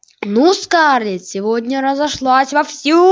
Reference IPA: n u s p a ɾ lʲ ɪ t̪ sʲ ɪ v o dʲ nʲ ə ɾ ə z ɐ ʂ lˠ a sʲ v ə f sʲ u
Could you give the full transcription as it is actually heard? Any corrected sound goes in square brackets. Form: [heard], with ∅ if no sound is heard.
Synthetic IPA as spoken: n u s [k] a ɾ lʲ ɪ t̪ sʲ ɪ v o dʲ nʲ ə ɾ ə z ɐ ʂ lˠ a sʲ v [ɐ] f sʲ u